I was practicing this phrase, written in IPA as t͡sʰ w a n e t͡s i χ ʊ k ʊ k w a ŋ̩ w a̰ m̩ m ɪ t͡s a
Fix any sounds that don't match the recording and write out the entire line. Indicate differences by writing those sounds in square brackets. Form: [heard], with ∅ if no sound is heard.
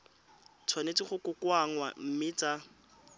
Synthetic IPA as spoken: t͡sʰ w a n e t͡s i χ ʊ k ʊ k w a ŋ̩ w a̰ m̩ m ɪ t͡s a